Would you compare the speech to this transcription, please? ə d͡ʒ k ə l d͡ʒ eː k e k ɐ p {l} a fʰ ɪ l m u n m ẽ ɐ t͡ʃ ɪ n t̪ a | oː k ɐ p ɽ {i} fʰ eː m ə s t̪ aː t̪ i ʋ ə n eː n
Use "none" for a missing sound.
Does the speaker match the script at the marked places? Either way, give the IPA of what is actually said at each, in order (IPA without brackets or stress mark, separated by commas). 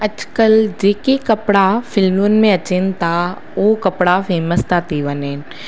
ɽ, a